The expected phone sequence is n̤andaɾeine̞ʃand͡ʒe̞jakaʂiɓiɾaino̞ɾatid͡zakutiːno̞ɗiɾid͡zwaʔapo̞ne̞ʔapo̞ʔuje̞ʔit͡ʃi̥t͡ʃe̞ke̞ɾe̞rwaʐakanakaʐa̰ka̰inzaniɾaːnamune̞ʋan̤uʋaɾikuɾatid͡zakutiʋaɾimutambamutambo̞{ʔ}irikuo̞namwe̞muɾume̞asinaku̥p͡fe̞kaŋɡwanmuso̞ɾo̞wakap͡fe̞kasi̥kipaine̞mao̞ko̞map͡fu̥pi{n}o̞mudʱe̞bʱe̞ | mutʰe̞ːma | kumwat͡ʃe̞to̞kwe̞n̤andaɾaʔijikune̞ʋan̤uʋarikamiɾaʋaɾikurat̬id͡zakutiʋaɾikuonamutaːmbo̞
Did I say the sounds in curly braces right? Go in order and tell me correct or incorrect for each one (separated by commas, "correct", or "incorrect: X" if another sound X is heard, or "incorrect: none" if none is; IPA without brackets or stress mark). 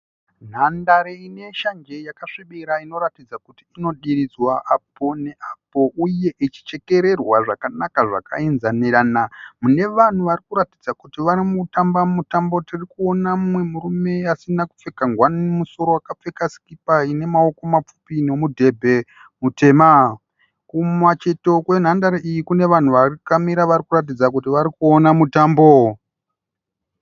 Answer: incorrect: t, correct